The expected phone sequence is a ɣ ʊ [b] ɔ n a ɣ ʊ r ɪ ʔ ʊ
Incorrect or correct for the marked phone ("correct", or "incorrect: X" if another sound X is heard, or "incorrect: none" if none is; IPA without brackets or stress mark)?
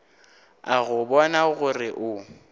correct